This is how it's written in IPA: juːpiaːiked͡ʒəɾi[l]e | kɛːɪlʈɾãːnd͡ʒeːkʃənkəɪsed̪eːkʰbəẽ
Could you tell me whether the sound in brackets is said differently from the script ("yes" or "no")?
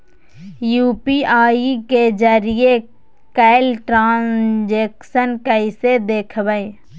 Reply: yes